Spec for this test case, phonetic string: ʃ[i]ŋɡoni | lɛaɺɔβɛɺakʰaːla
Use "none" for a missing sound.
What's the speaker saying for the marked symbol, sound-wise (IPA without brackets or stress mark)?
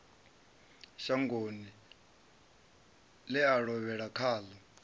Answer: a